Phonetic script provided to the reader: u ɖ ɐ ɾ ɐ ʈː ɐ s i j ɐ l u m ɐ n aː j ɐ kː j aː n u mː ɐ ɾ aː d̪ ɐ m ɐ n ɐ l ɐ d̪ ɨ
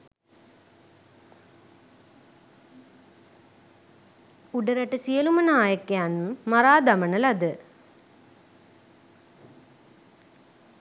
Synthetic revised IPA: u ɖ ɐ ɾ ɐ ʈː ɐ s i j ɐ l u m ɐ n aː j ɐ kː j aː n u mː ɐ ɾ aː d̪ ɐ m ɐ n ɐ l ɐ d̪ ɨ

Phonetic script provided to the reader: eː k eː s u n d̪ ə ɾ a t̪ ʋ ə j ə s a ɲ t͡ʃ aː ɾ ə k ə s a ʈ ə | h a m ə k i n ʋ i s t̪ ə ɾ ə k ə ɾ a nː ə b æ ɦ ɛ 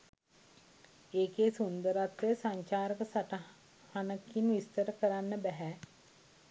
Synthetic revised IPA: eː k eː s u n d̪ ə ɾ a t̪ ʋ ə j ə s a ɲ t͡ʃ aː ɾ ə k ə s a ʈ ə | h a n ə k i n ʋ i s t̪ ə ɾ ə k ə ɾ a nː ə b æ ɦ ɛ

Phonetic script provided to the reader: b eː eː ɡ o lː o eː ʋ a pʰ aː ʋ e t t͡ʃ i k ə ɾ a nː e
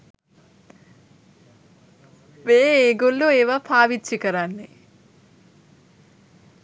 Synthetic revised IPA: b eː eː ɡ o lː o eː ʋ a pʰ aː ʋ i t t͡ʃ i k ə ɾ a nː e

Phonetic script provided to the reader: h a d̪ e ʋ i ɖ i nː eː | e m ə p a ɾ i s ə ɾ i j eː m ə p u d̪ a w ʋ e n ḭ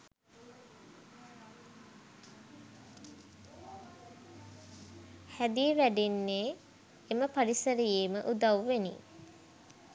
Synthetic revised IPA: h æ d̪ i ʋ æ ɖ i nː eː | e m ə p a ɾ i s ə ɾ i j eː m ə ʔ u d̪ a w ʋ e n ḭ

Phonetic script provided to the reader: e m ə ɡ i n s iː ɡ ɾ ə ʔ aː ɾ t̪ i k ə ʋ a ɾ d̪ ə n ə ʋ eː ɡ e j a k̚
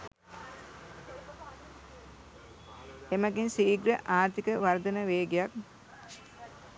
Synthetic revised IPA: e m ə ɡ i n s iː ɡ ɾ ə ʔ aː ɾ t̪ i k ə ʋ a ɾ d̪ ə n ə ʋ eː ɡ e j a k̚

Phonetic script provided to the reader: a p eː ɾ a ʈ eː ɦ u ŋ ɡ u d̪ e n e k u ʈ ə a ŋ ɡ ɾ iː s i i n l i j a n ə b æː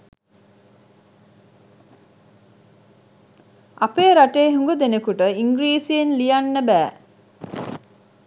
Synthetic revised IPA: a p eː ɾ a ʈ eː ɦ u ŋ ɡ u d̪ e n e k u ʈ ə i ŋ ɡ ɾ iː s i e n l i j a nː ə b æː

